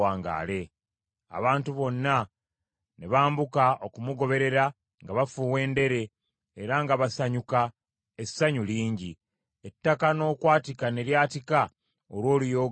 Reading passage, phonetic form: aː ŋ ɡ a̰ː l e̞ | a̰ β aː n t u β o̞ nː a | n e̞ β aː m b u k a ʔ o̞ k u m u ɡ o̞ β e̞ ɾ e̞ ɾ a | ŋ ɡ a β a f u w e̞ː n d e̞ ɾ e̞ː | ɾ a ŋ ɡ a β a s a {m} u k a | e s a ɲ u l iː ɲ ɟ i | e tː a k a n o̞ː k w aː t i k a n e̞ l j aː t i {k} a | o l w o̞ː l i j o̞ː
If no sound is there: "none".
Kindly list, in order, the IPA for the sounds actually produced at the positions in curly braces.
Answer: ɲ, k

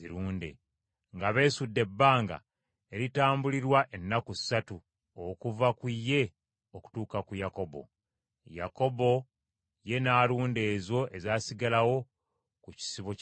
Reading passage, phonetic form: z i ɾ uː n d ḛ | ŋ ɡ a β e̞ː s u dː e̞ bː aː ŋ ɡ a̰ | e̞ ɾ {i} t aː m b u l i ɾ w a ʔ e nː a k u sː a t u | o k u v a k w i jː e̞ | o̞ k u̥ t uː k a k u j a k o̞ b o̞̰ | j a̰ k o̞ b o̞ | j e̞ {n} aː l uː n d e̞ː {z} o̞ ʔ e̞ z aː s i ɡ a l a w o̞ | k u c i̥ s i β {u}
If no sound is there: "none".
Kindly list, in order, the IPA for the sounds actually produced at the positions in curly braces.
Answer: i, n, z, o

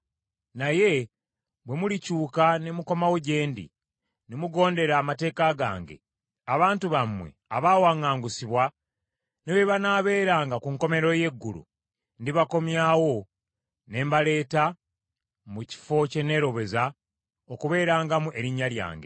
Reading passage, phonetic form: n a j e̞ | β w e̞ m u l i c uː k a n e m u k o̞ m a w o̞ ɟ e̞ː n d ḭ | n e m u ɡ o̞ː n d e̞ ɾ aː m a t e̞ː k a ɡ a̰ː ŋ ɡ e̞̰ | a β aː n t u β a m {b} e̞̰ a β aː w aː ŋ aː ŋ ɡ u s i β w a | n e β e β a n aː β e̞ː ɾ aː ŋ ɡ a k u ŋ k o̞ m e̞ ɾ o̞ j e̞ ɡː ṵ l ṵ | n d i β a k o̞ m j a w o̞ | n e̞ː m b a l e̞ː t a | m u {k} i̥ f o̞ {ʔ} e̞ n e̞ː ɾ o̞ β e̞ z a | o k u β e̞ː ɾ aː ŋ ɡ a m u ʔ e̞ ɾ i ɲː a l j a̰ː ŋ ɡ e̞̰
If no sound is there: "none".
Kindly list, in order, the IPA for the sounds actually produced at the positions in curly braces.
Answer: w, c, c

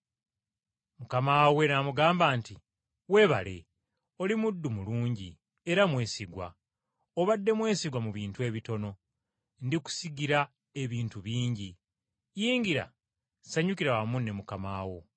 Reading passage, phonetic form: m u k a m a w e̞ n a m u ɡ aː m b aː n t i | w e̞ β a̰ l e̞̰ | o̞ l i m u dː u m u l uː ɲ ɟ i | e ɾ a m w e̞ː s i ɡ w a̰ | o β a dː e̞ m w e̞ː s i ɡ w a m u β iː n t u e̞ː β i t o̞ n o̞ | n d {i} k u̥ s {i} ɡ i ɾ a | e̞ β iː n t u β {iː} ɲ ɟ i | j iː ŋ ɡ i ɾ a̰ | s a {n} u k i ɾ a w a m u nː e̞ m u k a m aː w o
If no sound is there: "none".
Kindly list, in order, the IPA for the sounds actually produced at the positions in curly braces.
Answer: i, i, iː, ɲ

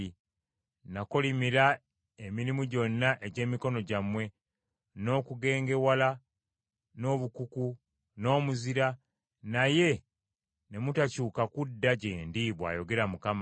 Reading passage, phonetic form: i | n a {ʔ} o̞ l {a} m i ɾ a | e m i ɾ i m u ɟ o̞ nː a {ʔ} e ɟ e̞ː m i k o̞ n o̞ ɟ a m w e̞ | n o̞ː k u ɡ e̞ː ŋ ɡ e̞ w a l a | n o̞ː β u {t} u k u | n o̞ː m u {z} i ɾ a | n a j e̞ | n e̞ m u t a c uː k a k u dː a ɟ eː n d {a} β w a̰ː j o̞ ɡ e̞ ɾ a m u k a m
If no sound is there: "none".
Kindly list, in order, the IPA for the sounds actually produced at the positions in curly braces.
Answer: k, i, ʔ, k, z, i

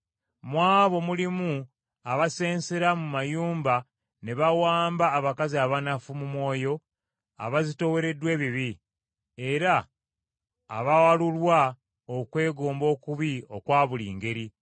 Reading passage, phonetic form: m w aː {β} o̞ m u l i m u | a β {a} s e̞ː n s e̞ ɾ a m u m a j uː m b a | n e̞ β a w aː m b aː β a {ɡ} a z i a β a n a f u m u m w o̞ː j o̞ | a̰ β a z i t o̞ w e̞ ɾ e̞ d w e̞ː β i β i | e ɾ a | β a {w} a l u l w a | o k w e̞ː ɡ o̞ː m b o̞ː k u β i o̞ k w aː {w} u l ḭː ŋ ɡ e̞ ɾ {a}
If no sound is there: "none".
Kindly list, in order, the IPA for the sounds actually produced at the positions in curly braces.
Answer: β, a, k, w, β, i

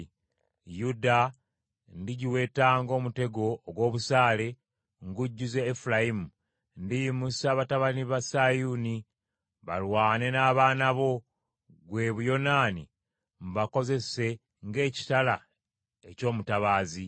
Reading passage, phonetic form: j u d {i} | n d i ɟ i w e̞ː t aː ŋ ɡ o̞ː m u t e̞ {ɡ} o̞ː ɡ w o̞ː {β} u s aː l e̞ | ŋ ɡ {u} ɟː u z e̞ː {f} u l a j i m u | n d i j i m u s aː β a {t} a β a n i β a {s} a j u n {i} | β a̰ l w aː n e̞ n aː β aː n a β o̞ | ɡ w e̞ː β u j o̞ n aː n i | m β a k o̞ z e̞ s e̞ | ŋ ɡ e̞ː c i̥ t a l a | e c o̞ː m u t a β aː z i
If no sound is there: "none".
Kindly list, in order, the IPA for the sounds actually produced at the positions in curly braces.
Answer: a, ɡ, β, u, f, t, s, i

